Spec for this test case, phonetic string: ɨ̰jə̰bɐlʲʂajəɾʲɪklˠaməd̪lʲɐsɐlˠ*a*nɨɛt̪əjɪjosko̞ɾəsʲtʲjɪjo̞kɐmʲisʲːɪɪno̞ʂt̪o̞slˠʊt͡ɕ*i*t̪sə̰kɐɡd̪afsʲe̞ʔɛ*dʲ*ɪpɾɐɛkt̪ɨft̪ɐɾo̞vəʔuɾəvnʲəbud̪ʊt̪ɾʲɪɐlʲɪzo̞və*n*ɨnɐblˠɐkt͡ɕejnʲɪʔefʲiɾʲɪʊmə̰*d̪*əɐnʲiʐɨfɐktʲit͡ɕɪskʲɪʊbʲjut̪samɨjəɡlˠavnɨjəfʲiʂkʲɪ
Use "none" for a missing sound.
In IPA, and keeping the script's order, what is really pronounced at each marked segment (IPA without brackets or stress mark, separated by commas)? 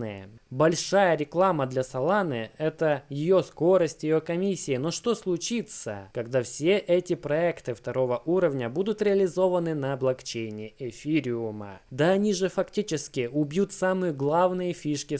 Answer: a, i, tʲ, n, d̪